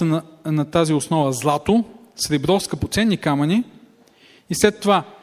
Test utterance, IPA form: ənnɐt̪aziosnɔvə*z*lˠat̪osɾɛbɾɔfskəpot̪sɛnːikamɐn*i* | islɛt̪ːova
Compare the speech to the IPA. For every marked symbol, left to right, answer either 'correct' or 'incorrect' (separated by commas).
correct, correct